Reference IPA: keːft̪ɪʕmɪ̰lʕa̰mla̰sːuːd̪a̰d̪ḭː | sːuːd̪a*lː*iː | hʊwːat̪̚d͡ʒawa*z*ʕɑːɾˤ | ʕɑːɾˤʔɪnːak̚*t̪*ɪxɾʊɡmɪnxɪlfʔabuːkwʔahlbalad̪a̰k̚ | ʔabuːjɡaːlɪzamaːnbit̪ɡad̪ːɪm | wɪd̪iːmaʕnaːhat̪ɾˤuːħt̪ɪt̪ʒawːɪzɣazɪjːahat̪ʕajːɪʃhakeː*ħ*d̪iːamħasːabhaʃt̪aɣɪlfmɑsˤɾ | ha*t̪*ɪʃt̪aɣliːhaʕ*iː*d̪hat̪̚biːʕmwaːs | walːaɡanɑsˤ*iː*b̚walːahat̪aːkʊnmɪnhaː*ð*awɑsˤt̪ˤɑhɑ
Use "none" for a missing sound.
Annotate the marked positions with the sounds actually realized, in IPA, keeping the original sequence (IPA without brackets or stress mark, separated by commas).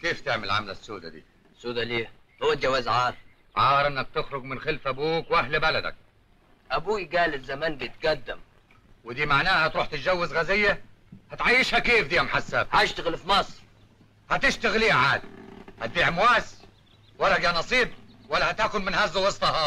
l, z, t̪, f, t̪, aː, iː, z